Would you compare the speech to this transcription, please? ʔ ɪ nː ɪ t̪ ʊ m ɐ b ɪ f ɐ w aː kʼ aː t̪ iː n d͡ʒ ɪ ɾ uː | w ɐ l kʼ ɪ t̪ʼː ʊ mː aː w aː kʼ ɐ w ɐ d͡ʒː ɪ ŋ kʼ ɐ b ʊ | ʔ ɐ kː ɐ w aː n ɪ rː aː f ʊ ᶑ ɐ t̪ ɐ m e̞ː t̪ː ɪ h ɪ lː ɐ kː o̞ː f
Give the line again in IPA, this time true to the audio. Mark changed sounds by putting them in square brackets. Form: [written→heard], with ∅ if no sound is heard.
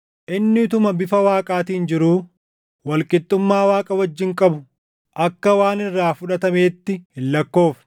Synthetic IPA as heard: ʔ ɪ nː ɪ t̪ ʊ m ɐ b ɪ f ɐ w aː kʼ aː t̪ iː n d͡ʒ ɪ ɾ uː | w ɐ l kʼ ɪ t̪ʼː ʊ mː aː w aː kʼ ɐ w ɐ d͡ʒː ɪ ŋ kʼ ɐ b ʊ | ʔ ɐ kː ɐ w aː n ɪ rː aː f ʊ ᶑ ɐ t̪ ɐ m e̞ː t̪ː ɪ h ɪ lː ɐ kː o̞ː f